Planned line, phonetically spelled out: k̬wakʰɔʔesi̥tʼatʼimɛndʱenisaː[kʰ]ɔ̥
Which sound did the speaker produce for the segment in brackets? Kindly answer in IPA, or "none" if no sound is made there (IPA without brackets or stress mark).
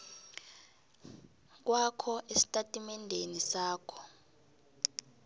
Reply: kʰ